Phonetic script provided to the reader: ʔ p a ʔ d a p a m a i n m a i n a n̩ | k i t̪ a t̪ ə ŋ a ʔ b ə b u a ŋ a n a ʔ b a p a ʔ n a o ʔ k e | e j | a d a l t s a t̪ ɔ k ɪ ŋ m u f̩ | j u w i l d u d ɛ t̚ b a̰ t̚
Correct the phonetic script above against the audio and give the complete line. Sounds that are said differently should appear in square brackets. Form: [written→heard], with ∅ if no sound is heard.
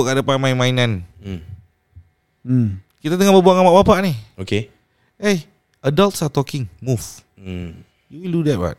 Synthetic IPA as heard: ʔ [p→k] a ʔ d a p a m a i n m a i n a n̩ | k i t̪ a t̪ ə ŋ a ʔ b ə b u a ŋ a [n→m] a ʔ b a p a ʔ n [a→i] o [ʔ→∅] k e | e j | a d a l t s a t̪ ɔ k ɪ ŋ m u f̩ | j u w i l d u d ɛ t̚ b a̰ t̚